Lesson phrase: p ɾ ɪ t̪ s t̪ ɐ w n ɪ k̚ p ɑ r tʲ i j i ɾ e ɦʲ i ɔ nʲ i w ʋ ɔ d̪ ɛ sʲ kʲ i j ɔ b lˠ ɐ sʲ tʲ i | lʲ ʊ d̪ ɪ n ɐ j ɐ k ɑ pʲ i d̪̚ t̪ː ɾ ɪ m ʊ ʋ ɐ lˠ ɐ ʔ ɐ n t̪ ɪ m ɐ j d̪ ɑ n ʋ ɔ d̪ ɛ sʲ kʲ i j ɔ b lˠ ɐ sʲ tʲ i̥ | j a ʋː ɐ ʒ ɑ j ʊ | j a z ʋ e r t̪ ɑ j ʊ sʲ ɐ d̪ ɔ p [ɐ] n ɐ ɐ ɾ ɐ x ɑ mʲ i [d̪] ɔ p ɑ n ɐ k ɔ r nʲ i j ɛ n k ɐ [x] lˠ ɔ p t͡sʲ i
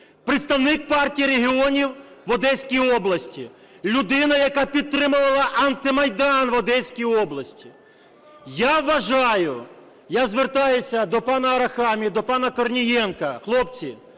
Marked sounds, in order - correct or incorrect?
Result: incorrect: ɑ, correct, correct

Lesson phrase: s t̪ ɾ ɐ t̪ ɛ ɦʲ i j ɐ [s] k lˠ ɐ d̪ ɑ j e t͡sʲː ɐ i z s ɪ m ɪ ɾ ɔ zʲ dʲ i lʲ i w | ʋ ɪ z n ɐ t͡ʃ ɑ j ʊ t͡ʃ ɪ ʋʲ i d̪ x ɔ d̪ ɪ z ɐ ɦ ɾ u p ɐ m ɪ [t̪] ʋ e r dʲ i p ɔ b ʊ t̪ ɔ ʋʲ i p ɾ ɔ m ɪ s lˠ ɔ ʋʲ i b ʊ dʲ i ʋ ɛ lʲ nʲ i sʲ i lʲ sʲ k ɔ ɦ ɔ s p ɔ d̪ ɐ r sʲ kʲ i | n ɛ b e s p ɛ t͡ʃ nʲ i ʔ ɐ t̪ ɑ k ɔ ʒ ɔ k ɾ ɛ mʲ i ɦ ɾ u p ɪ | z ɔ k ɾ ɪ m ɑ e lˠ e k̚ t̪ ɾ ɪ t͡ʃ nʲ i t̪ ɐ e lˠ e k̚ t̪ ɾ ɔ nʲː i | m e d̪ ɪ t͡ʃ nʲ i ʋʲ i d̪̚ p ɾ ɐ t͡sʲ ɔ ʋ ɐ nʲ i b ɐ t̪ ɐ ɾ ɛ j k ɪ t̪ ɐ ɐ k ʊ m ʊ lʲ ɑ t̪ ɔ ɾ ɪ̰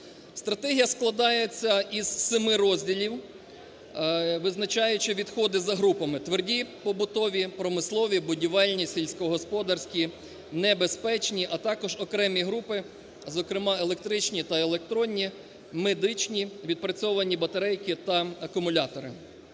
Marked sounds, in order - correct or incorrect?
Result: correct, correct

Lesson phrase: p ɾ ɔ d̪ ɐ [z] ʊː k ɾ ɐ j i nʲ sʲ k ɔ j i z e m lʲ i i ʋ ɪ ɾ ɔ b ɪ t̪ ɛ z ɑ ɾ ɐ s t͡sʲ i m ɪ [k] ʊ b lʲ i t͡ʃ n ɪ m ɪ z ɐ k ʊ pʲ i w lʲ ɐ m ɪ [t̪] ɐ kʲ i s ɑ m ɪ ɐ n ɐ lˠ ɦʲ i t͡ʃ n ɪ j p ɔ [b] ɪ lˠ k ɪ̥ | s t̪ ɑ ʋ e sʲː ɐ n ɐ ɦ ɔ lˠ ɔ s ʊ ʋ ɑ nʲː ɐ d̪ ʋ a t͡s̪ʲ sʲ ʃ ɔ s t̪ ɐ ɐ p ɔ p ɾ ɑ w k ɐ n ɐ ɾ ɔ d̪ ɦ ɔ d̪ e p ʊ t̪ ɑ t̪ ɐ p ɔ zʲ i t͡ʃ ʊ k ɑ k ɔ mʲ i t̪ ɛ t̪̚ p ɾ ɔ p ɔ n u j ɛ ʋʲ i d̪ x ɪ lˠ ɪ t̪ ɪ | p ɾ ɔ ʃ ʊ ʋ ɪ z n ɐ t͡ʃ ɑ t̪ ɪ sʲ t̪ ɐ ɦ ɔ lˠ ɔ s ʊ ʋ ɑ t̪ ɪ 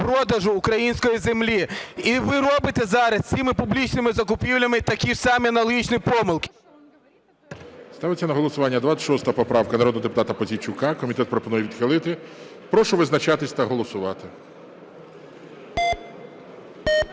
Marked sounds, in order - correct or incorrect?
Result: incorrect: ʒ, incorrect: p, correct, incorrect: m

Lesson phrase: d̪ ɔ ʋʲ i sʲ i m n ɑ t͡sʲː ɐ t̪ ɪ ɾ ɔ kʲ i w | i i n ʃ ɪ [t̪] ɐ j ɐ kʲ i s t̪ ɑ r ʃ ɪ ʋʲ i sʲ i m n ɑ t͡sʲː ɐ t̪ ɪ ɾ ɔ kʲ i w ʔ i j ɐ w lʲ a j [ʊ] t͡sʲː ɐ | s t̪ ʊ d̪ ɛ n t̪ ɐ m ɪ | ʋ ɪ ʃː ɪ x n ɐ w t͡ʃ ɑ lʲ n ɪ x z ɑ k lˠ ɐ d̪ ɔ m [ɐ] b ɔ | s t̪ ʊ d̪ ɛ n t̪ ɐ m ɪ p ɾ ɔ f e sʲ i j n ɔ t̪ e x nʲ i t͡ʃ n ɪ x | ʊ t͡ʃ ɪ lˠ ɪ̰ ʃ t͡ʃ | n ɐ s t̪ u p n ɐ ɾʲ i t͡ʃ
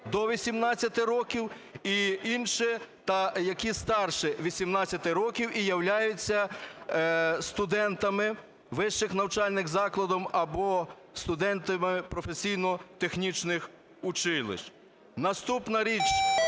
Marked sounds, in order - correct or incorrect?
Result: correct, correct, correct

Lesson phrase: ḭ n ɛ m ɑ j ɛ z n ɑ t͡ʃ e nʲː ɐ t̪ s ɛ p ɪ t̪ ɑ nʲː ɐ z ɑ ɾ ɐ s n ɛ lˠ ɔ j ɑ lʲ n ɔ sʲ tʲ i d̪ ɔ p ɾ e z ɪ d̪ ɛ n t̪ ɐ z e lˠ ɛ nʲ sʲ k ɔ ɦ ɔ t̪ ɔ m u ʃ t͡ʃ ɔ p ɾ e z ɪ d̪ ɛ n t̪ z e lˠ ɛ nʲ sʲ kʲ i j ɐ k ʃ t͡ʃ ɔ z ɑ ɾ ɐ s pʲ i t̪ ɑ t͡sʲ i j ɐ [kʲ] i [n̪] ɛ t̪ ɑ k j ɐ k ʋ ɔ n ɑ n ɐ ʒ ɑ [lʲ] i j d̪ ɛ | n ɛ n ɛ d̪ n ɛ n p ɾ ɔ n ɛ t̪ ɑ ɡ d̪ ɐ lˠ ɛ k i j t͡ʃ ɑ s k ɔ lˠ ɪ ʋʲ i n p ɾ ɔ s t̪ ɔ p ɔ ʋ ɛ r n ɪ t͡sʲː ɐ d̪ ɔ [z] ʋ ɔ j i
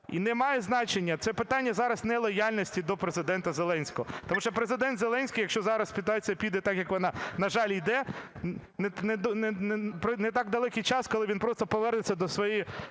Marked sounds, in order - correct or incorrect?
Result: incorrect: pʲ, incorrect: d̪, correct, incorrect: s

